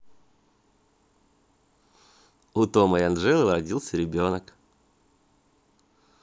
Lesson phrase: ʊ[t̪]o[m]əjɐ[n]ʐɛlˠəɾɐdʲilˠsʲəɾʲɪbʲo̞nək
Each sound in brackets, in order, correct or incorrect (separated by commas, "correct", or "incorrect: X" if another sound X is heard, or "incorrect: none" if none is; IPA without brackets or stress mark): correct, correct, correct